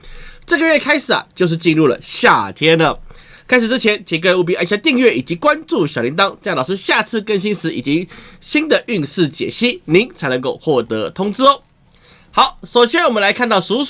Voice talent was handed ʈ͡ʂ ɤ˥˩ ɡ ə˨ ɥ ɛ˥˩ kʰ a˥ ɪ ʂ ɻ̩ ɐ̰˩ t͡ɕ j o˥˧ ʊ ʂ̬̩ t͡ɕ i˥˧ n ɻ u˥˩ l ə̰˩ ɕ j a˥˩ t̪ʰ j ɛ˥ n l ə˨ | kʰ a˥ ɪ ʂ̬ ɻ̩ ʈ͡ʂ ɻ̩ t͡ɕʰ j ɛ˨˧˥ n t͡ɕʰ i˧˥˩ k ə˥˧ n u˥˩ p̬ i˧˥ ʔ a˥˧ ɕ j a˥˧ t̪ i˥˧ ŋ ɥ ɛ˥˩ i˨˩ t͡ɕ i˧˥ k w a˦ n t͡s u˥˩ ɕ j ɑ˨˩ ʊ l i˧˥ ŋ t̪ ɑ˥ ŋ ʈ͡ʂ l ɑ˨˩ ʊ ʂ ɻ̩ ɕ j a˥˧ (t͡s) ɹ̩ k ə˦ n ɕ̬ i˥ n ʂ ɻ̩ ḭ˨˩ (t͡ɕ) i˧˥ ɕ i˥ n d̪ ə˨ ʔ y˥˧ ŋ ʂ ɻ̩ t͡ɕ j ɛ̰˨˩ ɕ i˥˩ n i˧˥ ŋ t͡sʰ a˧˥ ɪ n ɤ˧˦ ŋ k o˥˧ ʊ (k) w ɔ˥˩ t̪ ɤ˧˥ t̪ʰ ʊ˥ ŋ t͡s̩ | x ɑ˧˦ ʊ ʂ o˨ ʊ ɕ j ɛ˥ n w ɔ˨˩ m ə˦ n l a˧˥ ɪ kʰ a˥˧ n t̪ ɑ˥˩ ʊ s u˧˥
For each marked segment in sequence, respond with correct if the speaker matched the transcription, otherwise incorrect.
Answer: incorrect, correct, incorrect

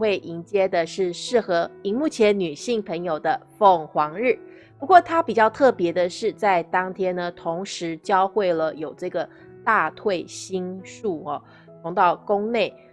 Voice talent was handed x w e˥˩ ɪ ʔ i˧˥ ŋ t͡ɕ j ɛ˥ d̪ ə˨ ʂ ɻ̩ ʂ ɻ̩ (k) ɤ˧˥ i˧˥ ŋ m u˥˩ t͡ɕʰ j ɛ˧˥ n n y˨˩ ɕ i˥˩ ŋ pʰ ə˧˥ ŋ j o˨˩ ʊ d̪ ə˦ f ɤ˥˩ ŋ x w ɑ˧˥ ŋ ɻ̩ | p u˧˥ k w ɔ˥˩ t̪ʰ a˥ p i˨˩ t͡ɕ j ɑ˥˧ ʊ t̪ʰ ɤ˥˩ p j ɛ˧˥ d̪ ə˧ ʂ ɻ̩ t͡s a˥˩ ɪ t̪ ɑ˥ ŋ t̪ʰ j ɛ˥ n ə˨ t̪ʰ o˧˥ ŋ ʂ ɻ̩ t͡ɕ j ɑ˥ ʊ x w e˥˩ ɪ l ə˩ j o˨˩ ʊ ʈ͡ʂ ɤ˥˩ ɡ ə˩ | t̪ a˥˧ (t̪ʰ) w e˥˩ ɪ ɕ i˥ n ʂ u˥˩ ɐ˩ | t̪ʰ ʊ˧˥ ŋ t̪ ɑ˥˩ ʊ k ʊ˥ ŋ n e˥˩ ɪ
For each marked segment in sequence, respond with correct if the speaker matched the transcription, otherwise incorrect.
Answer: incorrect, correct

